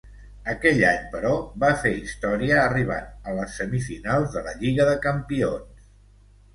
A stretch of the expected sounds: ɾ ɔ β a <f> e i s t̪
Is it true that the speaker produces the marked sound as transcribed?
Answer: yes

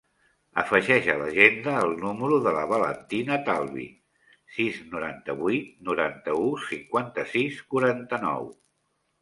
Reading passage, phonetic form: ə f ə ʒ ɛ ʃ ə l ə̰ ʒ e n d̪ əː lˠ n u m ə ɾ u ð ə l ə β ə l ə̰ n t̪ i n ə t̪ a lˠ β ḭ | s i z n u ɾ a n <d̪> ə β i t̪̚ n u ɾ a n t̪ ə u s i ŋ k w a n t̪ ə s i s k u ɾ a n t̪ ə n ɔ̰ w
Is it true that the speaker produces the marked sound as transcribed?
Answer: no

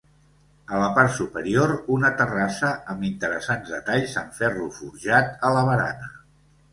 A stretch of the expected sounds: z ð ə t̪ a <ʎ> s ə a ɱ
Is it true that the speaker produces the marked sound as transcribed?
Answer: yes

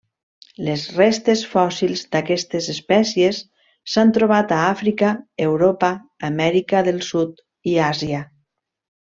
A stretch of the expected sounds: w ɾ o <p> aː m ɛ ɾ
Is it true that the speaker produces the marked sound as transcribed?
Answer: yes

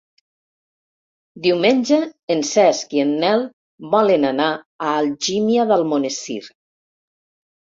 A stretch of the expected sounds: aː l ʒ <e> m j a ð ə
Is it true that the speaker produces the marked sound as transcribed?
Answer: no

